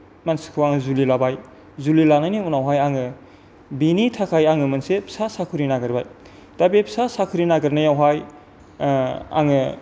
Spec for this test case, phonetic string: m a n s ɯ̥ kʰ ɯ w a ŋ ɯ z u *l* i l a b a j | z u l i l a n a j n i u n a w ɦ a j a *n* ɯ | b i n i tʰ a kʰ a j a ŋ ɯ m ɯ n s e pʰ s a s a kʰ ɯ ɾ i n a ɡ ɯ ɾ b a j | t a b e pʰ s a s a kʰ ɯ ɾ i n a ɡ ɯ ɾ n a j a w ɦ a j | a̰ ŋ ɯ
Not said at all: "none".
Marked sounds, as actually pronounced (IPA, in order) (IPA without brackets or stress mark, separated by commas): l, ŋ